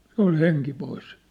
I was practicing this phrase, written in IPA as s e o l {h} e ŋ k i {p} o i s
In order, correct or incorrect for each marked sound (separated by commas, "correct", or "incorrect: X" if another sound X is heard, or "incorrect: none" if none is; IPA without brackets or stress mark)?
correct, correct